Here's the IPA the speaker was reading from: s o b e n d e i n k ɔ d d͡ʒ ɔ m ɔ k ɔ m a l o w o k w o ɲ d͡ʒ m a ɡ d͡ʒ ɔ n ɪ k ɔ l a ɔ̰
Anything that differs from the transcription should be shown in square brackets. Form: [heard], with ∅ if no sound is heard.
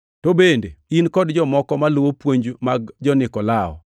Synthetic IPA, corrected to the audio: [t] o b e n d e i n k ɔ d d͡ʒ ɔ m ɔ k ɔ m a l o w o [p] w o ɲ d͡ʒ m a ɡ d͡ʒ ɔ n ɪ k ɔ l a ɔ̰